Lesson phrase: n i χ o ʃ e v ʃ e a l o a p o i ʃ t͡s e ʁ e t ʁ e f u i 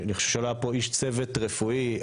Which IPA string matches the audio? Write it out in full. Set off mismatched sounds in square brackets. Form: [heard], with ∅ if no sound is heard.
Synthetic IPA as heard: n i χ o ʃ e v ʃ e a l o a p o i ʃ t͡s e [v] e t ʁ e f u i